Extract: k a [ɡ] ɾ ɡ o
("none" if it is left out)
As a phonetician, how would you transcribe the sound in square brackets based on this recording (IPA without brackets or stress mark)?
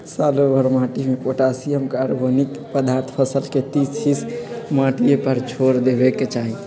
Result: none